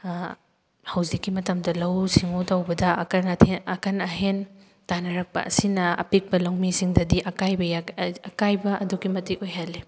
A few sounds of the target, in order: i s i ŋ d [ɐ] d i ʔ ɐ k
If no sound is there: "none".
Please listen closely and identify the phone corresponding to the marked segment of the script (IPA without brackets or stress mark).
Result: ɐ